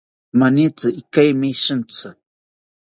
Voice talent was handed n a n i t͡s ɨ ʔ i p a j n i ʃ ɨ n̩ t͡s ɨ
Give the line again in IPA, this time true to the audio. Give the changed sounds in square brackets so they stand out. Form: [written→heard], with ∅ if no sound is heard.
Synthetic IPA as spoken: [n→m] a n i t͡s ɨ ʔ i [p→k] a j [n→m] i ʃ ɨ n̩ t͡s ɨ